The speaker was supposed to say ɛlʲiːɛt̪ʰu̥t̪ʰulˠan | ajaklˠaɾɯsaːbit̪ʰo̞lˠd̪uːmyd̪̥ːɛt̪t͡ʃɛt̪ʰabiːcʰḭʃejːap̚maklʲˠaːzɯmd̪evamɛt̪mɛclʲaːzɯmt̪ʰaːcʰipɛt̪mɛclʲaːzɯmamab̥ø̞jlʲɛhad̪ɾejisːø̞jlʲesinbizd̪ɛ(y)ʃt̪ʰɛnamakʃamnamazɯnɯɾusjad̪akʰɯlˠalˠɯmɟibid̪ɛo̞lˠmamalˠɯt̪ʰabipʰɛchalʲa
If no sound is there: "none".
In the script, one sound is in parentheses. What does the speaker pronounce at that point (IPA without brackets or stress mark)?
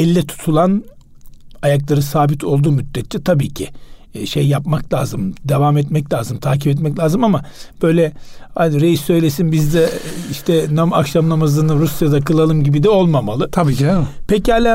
i